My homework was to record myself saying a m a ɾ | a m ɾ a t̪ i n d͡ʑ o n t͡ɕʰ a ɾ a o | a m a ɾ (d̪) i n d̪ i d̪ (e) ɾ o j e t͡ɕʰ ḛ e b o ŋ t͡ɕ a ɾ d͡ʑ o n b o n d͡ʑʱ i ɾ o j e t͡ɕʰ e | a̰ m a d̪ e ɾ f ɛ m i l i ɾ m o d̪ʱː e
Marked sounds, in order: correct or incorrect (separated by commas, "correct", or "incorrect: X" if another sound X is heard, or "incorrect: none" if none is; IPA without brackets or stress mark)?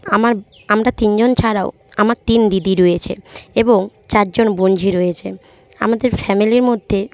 incorrect: t̪, incorrect: i